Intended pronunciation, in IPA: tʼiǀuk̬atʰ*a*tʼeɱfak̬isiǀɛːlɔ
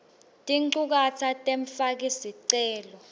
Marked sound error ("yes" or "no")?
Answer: no